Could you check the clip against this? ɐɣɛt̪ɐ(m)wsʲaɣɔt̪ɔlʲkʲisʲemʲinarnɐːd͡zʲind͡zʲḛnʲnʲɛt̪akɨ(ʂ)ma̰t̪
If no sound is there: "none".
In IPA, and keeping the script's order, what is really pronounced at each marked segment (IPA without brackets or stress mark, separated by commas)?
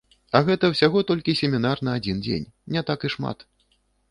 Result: none, ʂ